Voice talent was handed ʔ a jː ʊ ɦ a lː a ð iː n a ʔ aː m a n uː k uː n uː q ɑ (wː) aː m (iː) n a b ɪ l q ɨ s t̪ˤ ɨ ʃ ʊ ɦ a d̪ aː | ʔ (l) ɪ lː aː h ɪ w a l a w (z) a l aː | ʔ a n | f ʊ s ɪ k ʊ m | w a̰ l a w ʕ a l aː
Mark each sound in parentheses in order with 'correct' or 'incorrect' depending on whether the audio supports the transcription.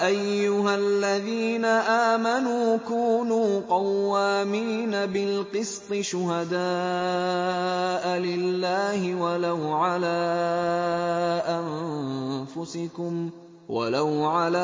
correct, correct, correct, incorrect: ʕ

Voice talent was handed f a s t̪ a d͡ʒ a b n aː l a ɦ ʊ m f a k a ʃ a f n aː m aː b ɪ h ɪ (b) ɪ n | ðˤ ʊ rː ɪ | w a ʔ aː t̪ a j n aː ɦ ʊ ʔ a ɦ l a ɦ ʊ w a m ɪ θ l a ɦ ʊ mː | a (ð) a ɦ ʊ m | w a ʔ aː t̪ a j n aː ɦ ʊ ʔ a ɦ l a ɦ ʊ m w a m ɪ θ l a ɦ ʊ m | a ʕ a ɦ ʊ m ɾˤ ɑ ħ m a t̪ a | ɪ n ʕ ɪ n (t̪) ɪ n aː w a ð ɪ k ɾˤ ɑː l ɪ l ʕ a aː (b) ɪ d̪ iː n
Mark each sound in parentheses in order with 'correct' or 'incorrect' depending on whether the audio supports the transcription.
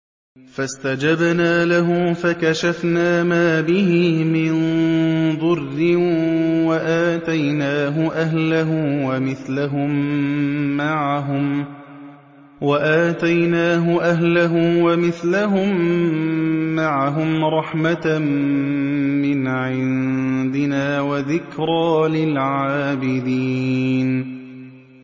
incorrect: m, incorrect: ʕ, incorrect: d̪, correct

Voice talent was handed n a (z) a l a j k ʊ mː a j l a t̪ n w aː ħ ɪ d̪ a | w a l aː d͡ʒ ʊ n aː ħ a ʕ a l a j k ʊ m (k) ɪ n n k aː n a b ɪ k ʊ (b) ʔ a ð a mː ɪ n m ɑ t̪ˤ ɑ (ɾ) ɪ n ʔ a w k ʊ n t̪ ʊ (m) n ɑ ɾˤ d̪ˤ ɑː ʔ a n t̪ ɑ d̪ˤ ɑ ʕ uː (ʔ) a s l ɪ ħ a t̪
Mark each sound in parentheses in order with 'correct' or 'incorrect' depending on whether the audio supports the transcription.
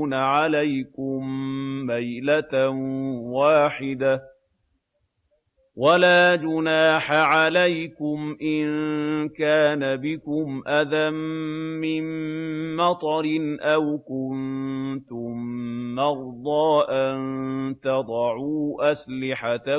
incorrect: ʕ, incorrect: ʔ, incorrect: m, correct, correct, correct

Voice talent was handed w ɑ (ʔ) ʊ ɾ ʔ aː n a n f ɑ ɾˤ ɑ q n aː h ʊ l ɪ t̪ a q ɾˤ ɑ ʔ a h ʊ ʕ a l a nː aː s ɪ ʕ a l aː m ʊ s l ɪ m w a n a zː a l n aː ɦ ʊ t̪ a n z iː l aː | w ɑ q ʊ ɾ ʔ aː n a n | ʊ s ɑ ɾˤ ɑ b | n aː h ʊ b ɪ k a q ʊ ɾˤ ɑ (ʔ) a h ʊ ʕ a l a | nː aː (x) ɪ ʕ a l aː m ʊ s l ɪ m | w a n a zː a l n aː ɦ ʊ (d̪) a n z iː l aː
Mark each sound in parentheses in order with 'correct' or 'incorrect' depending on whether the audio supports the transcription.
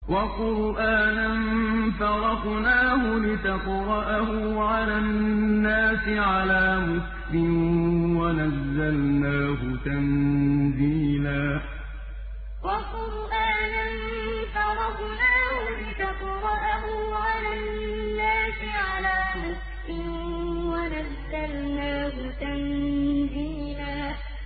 incorrect: q, correct, incorrect: s, incorrect: t̪

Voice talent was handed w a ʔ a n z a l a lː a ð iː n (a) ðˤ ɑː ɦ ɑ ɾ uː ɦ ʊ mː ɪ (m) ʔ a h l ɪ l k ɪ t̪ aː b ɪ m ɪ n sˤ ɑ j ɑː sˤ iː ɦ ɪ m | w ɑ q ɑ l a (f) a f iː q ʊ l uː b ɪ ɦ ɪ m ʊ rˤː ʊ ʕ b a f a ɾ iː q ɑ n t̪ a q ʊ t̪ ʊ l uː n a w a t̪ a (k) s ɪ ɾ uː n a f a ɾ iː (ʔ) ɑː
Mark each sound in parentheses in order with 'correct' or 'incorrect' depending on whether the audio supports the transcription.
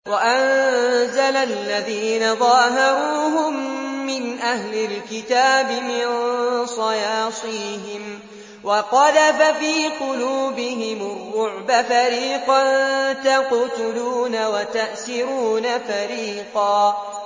correct, incorrect: n, correct, incorrect: ʔ, incorrect: q

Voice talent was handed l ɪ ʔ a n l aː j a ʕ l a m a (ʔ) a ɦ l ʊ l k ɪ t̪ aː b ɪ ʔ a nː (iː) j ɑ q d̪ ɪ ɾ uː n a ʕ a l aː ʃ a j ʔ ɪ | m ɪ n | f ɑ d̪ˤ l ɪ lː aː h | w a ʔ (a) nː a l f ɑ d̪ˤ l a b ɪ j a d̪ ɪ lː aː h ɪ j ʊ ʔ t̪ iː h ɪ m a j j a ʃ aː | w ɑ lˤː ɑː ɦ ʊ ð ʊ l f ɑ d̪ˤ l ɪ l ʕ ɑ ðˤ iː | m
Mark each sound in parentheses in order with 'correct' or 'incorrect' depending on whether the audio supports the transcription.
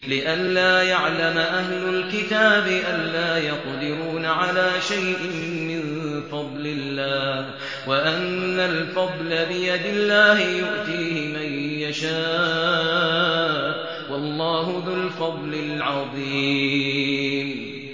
correct, incorrect: aː, correct

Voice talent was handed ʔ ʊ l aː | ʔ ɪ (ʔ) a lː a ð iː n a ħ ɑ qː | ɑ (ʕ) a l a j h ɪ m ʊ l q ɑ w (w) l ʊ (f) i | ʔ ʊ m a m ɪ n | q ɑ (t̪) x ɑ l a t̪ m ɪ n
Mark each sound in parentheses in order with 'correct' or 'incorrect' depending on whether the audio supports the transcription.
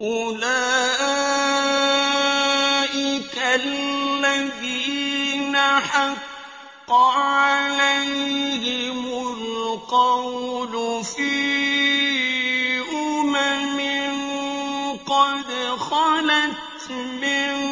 incorrect: k, correct, correct, correct, incorrect: d̪

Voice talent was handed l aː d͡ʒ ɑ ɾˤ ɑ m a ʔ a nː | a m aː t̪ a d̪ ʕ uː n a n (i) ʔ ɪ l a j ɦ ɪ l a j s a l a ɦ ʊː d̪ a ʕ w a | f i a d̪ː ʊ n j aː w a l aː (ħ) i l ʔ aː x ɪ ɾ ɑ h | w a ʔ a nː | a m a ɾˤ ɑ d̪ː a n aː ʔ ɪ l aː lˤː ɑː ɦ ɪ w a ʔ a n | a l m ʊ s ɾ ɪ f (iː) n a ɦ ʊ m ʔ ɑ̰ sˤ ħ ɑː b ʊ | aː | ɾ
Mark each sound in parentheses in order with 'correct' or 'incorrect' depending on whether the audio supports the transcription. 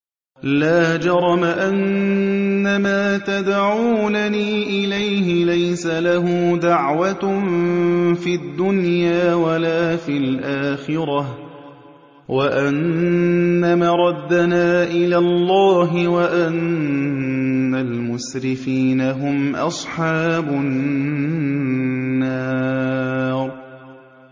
incorrect: iː, incorrect: f, correct

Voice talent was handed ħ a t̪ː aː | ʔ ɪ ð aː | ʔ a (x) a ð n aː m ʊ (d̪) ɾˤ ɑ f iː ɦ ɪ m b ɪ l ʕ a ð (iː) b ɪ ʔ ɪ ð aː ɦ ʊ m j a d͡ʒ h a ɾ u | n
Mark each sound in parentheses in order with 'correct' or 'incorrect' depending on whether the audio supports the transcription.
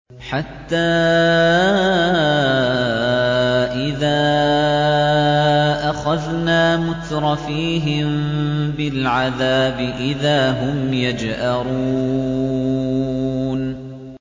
correct, incorrect: t̪, incorrect: aː

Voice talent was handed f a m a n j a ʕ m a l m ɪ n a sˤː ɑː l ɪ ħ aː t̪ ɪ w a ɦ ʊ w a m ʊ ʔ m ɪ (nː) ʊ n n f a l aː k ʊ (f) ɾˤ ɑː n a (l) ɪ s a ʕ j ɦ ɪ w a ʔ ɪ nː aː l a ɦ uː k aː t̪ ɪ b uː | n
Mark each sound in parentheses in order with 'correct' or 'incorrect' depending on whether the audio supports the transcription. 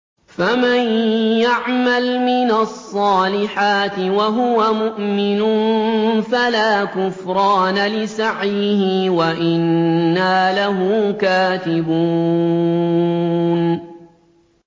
incorrect: n, correct, correct

